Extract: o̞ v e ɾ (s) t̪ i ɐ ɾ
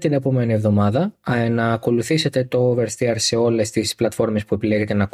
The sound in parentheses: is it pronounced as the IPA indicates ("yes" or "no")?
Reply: yes